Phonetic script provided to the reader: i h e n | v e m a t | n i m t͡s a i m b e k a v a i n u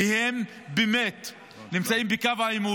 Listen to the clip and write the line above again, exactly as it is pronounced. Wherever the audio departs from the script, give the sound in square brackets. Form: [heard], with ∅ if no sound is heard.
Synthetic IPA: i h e [m] | [b] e m [e] t | n i m t͡s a i m b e k a v a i [m] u